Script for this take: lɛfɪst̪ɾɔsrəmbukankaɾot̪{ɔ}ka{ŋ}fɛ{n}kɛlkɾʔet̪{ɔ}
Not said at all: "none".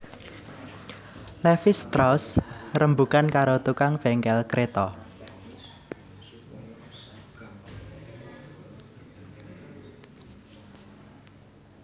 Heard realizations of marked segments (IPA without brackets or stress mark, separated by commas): u, ŋ, ŋ, ɔ